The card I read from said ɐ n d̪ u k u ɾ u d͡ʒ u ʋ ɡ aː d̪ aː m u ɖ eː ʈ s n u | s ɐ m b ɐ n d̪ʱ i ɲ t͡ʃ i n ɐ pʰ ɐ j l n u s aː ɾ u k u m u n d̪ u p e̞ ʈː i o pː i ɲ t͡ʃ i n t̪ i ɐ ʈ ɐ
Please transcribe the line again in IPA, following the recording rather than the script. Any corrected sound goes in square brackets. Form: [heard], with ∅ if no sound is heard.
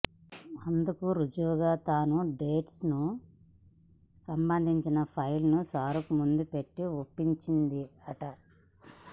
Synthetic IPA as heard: ɐ n d̪ u k u ɾ u d͡ʒ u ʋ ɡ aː [t̪] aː [n] u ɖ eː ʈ s n u | s ɐ m b ɐ n d̪ʱ i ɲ t͡ʃ i n ɐ pʰ ɐ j l n u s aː ɾ u k u m u n d̪ u p e̞ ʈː i o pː i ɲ t͡ʃ i n [d̪] i ɐ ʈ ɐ